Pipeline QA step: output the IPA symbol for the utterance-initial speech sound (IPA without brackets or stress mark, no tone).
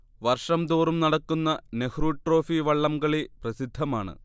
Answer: ʋ